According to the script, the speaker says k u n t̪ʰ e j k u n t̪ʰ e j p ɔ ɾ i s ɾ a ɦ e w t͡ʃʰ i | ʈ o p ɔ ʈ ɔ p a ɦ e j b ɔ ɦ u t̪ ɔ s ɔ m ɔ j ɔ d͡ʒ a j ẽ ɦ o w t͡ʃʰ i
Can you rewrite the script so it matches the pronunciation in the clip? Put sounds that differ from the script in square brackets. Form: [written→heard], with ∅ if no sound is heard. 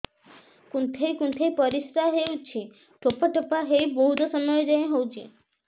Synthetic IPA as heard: k u n t̪ʰ e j k u n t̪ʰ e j p ɔ ɾ i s ɾ a ɦ e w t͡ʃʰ i | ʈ o p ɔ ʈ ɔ p a ɦ e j b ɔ ɦ u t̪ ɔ s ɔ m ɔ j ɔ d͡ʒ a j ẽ ɦ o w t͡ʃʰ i